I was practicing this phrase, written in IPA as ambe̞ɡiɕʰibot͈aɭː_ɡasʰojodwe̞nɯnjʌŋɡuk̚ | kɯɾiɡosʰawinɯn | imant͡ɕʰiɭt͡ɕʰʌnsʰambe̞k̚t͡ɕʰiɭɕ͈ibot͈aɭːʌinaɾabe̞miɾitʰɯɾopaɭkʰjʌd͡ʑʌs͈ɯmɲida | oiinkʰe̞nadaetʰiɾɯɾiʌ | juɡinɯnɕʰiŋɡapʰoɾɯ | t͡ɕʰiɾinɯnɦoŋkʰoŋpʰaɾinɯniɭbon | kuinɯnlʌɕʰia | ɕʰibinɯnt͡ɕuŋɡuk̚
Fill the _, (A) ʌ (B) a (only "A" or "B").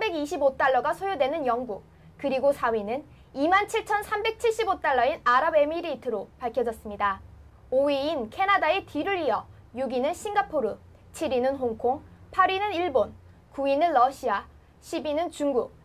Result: A